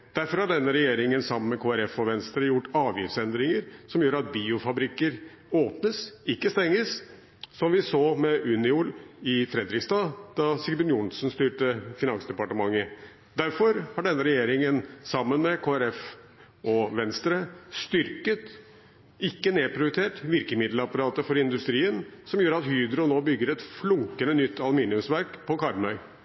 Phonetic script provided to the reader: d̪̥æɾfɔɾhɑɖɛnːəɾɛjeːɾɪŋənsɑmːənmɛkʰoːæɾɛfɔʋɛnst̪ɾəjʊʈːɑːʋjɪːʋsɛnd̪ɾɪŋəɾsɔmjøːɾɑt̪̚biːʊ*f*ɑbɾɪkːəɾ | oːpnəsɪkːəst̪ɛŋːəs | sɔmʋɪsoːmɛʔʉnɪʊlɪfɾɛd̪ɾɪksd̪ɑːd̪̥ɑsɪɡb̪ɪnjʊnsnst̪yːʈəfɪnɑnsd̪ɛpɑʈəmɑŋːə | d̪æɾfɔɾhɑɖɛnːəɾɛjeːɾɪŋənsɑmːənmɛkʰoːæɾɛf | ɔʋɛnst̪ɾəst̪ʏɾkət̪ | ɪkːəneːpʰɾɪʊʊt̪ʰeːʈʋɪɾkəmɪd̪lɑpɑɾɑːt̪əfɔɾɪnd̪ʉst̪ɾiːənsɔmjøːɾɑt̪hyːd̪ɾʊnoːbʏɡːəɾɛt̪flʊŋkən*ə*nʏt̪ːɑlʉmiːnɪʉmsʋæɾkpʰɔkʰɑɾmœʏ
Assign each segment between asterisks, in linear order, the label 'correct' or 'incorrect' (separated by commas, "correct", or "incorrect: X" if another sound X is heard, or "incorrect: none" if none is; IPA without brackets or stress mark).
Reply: correct, correct